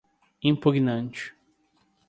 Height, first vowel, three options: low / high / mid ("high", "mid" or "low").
high